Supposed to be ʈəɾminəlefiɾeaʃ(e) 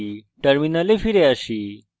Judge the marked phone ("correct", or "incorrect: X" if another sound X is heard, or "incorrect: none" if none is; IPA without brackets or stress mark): incorrect: i